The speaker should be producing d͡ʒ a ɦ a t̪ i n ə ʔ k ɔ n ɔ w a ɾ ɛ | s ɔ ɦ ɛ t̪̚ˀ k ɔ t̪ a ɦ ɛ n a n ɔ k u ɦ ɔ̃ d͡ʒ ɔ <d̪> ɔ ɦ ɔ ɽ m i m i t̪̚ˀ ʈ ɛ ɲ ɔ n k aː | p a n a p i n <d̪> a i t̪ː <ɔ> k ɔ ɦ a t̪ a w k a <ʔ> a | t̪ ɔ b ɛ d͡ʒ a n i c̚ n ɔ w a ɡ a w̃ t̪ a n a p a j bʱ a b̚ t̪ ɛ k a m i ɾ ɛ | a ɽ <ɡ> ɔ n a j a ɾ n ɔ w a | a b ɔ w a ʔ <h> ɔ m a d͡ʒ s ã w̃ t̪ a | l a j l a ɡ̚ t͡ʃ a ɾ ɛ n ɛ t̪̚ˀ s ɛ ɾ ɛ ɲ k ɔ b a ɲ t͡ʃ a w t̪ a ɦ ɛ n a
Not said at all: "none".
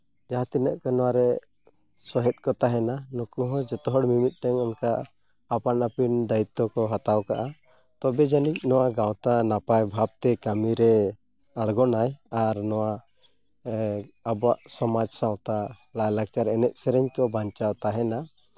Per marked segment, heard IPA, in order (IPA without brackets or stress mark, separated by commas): t̪, d̪, ɔ, ʔ, ɡ, s